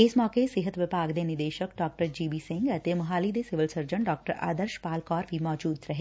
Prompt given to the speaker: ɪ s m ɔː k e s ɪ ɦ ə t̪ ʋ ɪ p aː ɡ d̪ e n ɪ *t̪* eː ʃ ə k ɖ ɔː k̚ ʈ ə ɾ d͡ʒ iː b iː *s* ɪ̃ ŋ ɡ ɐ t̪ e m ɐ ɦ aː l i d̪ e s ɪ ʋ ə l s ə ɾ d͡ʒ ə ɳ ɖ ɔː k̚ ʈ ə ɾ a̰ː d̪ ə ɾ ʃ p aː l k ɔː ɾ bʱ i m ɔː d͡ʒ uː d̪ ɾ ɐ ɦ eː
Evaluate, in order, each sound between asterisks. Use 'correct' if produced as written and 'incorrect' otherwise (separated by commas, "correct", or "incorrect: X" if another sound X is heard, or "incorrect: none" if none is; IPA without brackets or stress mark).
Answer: incorrect: d̪, correct